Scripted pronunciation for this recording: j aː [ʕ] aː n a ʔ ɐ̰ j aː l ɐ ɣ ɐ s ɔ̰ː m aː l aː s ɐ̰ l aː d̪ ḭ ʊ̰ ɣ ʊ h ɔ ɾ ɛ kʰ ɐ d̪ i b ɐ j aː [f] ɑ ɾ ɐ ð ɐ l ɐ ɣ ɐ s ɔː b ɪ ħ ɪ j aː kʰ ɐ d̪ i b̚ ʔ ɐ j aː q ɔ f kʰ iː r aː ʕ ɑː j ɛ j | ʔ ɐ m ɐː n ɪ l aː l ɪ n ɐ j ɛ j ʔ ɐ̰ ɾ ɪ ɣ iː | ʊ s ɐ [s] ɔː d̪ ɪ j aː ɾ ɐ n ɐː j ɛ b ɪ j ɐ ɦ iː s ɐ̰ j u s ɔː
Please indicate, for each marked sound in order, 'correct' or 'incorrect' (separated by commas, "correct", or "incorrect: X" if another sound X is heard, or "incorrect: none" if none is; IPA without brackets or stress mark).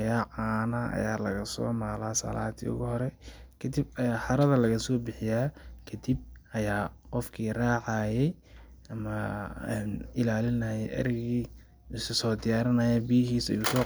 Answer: correct, incorrect: ħ, correct